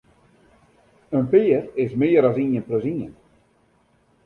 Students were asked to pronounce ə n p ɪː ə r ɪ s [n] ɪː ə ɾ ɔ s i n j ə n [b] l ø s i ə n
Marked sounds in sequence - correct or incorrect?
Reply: incorrect, incorrect

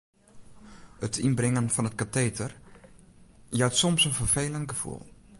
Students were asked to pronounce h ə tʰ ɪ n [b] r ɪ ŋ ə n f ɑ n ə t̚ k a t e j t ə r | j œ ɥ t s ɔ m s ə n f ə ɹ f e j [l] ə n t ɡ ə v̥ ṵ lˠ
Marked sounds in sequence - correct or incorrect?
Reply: correct, correct

